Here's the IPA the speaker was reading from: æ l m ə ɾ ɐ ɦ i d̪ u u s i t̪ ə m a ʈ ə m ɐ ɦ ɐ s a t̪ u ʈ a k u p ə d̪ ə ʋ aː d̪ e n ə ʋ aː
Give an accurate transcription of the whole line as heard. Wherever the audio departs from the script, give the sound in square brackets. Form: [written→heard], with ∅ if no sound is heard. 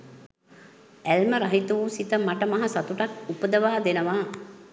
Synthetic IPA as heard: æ l m ə ɾ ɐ ɦ i [d̪→t̪] u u s i t̪ ə m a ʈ ə m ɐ ɦ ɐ s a t̪ u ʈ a k u p ə d̪ ə ʋ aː d̪ e n ə ʋ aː